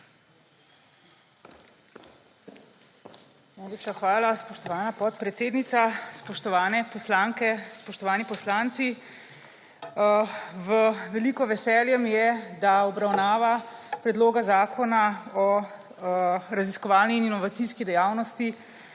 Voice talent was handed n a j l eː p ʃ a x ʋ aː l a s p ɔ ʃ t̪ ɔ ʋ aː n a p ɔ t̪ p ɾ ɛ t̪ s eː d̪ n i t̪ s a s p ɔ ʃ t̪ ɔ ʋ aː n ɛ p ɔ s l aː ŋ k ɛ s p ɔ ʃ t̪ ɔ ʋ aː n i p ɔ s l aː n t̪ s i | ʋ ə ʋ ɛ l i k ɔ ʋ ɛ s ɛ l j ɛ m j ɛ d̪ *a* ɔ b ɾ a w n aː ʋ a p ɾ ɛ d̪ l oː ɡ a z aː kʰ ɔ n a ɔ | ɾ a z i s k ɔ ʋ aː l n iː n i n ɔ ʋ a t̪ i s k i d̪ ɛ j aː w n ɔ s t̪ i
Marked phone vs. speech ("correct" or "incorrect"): correct